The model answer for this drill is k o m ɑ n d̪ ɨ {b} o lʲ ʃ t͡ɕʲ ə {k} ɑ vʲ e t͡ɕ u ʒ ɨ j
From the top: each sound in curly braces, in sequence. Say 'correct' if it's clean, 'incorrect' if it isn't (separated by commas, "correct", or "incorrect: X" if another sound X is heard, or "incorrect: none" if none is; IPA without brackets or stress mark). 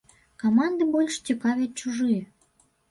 correct, correct